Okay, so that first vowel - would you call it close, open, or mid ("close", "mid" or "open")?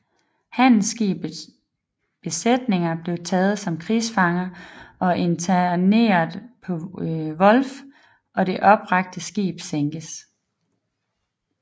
open